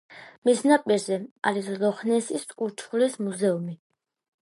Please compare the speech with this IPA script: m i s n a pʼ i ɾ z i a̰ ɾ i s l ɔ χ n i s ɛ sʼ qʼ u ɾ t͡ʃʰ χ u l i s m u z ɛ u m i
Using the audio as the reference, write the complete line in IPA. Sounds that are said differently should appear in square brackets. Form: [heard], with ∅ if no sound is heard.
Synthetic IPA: m i s n a pʼ i ɾ z [ɛ] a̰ ɾ i s l ɔ χ n [ɛ] s [i] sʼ [kʼ] u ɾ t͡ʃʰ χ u l i s m u z ɛ u m i